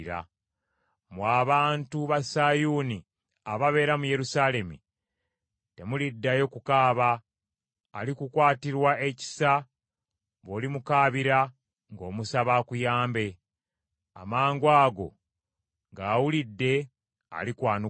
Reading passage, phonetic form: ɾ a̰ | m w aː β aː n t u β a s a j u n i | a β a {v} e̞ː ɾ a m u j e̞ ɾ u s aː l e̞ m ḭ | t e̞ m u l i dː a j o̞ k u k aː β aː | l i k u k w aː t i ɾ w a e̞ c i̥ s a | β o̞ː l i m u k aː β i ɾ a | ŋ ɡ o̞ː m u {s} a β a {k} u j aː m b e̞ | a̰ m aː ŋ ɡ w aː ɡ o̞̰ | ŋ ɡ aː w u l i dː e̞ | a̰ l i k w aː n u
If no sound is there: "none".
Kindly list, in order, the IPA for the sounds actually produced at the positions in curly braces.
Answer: β, s, k

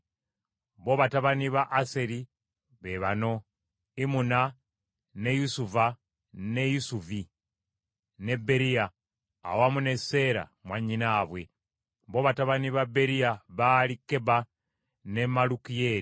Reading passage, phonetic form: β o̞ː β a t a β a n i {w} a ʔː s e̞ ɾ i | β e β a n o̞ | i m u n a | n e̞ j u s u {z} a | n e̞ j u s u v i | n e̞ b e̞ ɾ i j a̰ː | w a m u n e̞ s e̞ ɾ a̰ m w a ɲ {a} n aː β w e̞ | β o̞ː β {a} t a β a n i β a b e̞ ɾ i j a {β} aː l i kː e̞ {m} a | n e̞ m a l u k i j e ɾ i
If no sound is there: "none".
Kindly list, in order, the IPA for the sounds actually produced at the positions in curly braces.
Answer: β, v, i, a, β, b

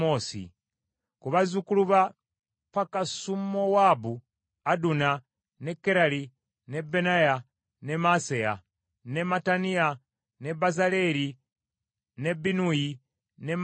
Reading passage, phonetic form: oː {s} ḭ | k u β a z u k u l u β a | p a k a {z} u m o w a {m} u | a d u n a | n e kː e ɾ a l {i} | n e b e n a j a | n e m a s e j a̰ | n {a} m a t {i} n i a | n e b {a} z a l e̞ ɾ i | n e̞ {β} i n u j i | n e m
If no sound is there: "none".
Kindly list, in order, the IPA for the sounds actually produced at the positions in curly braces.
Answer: s, s, b, i, e, a, a, b

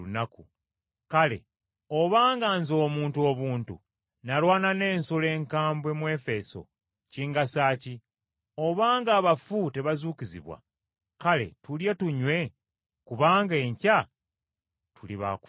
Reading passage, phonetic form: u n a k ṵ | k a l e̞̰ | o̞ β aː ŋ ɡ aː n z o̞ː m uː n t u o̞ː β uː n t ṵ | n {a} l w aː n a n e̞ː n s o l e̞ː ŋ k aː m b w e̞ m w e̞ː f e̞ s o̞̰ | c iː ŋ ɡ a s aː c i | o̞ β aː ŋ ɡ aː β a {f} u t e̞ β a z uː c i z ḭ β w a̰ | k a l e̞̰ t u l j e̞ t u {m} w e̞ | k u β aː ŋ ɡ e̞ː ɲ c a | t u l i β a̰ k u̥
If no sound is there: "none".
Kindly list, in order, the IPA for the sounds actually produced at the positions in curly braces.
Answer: a, f, ɲ

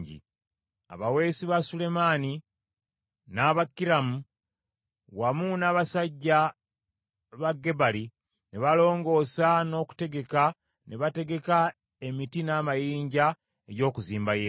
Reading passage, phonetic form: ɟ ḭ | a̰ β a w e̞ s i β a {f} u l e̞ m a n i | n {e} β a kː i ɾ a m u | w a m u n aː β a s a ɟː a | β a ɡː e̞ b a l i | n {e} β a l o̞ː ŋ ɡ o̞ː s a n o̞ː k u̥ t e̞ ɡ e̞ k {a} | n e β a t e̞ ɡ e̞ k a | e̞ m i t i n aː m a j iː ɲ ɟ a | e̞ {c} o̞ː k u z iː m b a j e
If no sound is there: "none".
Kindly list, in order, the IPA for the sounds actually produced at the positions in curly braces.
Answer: s, a, e, a, ɟ

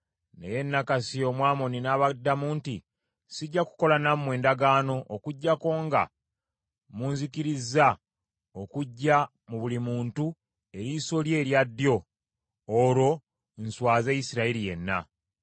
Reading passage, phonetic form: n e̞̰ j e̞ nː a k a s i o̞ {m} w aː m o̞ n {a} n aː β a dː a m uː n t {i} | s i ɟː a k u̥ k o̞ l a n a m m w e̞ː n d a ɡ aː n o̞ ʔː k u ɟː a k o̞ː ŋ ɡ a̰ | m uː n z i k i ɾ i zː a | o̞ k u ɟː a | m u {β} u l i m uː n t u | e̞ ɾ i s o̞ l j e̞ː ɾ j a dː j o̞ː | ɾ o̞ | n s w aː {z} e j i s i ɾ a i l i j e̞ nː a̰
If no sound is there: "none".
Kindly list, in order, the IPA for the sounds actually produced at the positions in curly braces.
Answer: m, i, i, β, z

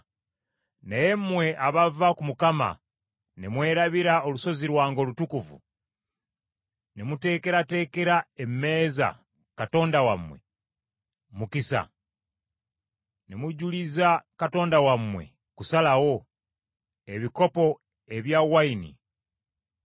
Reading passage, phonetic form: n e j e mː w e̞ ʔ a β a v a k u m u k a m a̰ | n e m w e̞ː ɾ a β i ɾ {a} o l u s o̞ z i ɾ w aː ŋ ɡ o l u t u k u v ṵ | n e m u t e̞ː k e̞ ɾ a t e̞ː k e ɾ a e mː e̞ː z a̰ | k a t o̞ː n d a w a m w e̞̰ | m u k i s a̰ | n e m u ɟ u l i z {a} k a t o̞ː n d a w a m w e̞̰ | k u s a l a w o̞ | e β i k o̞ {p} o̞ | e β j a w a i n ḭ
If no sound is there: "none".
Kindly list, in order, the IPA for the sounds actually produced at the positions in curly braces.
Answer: a, a, p

